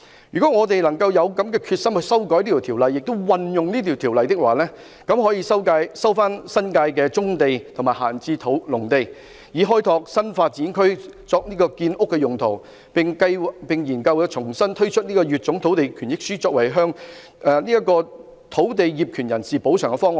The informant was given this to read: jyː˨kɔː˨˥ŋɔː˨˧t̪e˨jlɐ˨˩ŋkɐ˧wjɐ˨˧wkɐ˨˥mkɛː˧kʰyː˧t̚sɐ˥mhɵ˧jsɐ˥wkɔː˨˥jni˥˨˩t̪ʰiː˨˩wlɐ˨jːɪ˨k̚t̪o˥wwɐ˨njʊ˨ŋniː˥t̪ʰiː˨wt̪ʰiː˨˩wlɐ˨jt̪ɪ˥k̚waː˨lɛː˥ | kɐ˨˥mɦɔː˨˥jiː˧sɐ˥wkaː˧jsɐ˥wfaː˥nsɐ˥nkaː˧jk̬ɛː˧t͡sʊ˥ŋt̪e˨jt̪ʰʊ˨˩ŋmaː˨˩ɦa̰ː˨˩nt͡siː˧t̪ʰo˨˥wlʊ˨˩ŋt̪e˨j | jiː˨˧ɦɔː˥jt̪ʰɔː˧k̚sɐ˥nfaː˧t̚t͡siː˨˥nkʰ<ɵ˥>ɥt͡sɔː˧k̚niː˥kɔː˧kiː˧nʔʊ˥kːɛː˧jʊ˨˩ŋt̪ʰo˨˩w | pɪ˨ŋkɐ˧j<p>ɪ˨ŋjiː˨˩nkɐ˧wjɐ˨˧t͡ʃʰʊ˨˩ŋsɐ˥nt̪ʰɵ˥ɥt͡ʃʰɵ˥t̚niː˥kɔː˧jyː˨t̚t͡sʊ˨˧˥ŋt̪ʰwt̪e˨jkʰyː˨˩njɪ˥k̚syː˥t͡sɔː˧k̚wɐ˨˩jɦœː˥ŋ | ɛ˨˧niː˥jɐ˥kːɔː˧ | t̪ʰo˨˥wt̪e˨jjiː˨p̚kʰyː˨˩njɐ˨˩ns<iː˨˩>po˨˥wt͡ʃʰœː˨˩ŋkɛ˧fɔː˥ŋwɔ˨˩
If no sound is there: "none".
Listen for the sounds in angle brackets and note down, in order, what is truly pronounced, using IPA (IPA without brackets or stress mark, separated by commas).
ɵ˥, p, iː˨˩